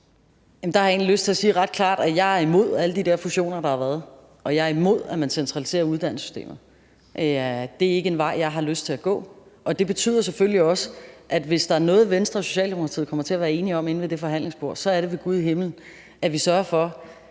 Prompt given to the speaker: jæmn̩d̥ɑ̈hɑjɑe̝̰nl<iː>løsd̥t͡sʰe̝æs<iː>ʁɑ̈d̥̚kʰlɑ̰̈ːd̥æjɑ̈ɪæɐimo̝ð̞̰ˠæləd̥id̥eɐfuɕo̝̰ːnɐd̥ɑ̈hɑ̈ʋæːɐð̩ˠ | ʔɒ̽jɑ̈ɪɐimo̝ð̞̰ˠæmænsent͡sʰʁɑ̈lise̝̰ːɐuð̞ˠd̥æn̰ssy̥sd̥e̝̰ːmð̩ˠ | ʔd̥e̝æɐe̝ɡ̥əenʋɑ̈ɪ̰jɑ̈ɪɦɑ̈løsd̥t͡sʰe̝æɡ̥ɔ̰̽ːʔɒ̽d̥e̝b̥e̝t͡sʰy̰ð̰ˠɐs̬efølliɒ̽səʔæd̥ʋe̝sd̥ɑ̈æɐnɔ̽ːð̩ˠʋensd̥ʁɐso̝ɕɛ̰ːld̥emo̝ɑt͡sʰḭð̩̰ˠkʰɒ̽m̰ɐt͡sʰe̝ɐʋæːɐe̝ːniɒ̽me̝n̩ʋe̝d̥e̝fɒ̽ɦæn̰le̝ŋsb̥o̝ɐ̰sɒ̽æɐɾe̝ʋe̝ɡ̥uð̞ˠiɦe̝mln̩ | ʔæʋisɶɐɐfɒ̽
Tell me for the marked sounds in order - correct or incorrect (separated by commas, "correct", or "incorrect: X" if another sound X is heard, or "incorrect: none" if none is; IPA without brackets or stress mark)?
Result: incorrect: i, correct